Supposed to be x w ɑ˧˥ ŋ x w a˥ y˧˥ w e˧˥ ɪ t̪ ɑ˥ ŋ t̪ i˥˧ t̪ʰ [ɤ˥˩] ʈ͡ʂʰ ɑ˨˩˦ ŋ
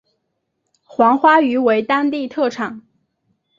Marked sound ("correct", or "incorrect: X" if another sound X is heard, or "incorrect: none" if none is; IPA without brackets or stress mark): correct